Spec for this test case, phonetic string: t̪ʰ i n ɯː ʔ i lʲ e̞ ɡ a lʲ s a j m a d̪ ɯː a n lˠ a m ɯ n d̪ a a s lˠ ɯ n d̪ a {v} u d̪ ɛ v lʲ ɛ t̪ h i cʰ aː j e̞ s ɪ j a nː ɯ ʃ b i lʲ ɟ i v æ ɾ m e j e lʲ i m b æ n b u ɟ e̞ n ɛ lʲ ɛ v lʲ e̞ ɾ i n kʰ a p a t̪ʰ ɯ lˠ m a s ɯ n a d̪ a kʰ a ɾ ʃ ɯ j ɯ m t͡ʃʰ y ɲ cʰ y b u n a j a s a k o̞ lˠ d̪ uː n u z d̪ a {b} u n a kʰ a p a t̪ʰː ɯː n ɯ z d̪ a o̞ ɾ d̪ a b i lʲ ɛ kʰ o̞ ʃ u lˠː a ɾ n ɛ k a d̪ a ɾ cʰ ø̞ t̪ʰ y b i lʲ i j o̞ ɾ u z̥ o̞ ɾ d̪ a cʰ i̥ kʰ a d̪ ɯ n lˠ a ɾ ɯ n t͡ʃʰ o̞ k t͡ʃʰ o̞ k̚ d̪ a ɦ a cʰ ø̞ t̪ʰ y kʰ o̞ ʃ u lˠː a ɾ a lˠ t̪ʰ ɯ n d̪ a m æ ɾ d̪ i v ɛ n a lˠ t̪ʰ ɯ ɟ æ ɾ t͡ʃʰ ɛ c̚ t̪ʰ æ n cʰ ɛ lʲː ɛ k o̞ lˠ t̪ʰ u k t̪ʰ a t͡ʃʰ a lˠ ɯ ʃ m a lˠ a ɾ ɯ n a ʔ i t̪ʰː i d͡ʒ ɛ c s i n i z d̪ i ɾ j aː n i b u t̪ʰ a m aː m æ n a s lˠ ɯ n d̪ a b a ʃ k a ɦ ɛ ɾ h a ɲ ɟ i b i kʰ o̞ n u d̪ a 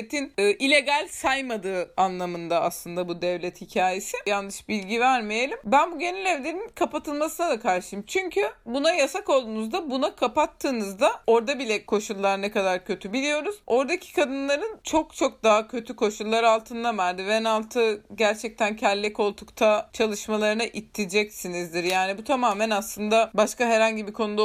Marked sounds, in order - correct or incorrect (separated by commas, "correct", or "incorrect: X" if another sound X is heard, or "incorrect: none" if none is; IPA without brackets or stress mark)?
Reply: incorrect: b, correct